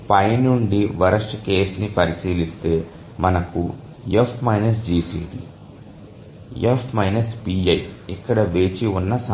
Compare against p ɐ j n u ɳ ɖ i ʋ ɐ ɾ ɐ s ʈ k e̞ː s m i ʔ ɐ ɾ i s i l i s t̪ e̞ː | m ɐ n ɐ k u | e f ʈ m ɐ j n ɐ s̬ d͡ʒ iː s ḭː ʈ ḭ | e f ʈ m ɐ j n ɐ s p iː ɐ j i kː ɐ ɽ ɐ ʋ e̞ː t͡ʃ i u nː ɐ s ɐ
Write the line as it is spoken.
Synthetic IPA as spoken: p ɐ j n u ɳ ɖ i ʋ ɐ ɾ ɐ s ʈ k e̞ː s n i p ɐ ɾ i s iː l i s t̪ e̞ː | m ɐ n ɐ k u | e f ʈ m ɐ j n ɐ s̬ d͡ʒ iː s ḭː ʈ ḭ | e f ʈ m ɐ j n ɐ s p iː ɐ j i kː ɐ ɽ ɐ ʋ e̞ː t͡ʃ i u nː ɐ s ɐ

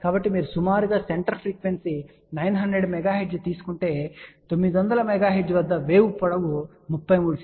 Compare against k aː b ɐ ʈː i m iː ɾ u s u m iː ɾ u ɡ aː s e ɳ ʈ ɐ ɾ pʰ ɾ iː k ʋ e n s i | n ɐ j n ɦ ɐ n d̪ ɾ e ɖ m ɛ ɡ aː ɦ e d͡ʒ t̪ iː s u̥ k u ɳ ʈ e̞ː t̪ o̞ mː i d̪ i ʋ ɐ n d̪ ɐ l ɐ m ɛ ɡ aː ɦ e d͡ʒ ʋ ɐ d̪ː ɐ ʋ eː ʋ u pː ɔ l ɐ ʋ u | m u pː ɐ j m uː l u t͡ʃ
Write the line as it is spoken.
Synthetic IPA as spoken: k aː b ɐ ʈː i m iː ɾ u s u m aː ɾ u ɡ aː s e ɳ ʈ ɐ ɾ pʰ ɾ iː k ʋ e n s i | n ɐ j n ɦ ɐ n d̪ ɾ e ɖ m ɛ ɡ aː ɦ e d͡ʒ t̪ iː s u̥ k u ɳ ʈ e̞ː t̪ o̞ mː i d̪ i ʋ ɐ n d̪ ɐ l ɐ m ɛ ɡ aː ɦ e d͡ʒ ʋ ɐ d̪ː ɐ ʋ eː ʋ u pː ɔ ɽ ɐ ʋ u | m u pː ɐ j m uː ɽ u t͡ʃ

